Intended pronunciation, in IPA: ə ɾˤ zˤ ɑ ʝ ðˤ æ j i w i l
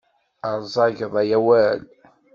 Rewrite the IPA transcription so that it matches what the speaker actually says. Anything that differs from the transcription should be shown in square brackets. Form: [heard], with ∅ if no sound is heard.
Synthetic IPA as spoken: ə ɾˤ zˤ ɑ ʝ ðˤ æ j [æ] w [æ] l